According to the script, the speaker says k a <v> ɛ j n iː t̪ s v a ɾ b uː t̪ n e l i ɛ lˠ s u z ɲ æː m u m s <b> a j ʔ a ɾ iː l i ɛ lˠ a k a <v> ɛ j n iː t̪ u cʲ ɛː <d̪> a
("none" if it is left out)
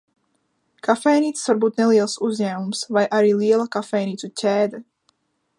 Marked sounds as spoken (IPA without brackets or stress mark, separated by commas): f, v, f, d̪